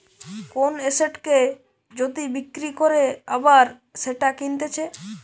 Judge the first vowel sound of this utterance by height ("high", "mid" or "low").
mid